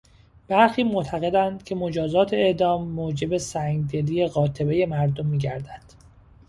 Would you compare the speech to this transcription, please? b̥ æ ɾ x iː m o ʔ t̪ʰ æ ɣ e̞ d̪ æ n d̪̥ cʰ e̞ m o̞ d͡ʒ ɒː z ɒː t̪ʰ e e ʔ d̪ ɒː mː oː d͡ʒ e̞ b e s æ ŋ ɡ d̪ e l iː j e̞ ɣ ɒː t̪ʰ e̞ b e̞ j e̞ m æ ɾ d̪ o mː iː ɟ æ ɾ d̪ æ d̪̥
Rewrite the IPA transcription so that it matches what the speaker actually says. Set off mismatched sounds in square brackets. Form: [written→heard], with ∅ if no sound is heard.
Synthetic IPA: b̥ æ ɾ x iː m o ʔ t̪ʰ æ ɣ e̞ d̪ æ n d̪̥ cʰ e̞ m o̞ d͡ʒ ɒː z ɒː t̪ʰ e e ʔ d̪ ɒː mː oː d͡ʒ e̞ b e s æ ŋ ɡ d̪ e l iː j e̞ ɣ ɒː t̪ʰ e̞ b e̞ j e̞ m æ ɾ d̪ o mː iː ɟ æ ɾ d̪ æ d̪̥